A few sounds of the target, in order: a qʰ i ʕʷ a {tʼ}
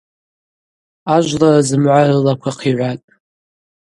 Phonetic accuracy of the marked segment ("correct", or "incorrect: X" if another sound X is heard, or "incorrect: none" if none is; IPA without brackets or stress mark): correct